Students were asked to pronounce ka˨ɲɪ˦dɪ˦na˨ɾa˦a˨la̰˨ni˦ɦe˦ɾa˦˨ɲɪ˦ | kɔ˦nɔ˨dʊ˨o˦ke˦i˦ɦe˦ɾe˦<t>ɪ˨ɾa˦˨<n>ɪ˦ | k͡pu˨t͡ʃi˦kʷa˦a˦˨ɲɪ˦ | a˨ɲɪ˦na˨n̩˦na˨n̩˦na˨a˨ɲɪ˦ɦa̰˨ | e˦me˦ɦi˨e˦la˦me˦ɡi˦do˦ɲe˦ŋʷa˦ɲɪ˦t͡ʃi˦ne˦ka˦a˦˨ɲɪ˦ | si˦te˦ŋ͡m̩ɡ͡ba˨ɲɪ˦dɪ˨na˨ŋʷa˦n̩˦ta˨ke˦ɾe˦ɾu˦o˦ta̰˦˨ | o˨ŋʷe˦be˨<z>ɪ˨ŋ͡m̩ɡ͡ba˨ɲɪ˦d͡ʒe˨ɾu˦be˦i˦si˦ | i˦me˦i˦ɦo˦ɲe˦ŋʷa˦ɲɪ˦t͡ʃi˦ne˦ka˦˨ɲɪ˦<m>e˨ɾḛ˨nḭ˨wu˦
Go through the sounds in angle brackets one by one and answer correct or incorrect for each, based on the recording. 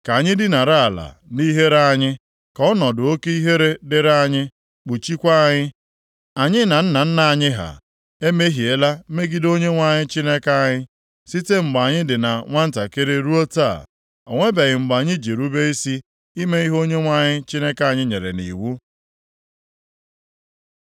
incorrect: d, incorrect: ɲ, incorrect: ɣ, incorrect: ɲ

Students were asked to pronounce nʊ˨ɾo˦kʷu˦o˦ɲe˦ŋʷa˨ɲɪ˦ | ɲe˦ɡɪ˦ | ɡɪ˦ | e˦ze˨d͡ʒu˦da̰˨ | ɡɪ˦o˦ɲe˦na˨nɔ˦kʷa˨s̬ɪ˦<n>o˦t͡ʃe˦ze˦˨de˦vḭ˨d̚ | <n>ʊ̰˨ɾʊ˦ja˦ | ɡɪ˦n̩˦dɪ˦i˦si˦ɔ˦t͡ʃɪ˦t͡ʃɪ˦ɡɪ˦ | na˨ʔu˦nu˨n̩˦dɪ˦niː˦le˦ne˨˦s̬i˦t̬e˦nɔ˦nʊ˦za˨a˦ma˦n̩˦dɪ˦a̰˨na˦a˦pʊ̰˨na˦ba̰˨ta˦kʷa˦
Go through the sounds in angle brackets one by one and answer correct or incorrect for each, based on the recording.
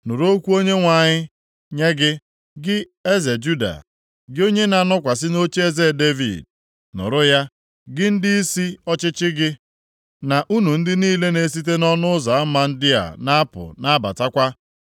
correct, correct

